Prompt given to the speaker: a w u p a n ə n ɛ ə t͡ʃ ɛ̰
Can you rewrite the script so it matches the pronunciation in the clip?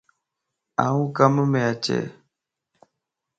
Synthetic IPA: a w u k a m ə m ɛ a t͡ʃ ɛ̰